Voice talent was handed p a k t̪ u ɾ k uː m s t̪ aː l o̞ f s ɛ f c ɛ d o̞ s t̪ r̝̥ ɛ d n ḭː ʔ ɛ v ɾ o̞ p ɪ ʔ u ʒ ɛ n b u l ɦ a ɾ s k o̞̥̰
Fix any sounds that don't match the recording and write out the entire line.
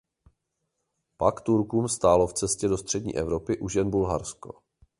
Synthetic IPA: p a k t̪ u ɾ k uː m s t̪ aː l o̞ f t͡s ɛ s c ɛ d o̞ s t̪ r̝̥ ɛ d ɲ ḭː ʔ ɛ v ɾ o̞ p ɪ ʔ u ʒ ɛ n b u l ɦ a ɾ s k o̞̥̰